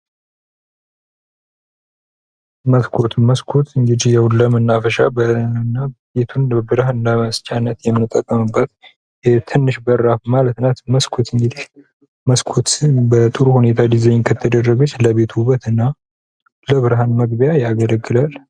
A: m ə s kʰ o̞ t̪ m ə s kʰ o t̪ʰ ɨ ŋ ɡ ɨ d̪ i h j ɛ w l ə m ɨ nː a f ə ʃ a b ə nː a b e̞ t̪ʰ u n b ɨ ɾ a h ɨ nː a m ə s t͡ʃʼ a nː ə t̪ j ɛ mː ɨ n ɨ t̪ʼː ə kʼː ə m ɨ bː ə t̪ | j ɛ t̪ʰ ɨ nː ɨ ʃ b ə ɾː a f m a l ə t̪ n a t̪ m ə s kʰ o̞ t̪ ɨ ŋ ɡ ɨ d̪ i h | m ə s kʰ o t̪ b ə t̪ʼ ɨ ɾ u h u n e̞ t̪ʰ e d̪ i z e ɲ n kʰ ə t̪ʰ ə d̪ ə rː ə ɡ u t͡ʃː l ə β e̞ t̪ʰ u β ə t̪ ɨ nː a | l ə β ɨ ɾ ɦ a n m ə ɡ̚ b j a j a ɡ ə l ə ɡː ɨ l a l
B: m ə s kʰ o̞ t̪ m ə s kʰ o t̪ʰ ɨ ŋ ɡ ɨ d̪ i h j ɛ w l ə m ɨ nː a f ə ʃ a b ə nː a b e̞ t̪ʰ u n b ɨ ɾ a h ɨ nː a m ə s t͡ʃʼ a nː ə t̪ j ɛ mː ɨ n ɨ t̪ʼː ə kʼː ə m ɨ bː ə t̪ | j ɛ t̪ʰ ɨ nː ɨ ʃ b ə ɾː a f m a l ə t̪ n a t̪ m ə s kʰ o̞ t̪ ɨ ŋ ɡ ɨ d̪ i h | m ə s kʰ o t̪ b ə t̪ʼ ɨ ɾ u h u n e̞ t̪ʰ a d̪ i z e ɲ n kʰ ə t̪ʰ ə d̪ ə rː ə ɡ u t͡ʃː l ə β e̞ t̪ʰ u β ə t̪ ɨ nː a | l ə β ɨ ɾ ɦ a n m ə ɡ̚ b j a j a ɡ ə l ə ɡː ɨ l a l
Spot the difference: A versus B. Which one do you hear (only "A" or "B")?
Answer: B